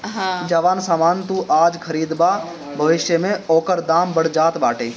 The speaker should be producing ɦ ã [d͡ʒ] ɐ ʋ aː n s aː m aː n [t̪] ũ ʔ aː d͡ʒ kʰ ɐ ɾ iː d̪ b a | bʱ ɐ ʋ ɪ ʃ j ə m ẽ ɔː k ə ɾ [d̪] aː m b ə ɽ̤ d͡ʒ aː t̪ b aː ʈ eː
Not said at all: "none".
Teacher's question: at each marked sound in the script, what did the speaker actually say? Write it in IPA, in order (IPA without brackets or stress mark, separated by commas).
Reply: d͡ʒ, t̪, d̪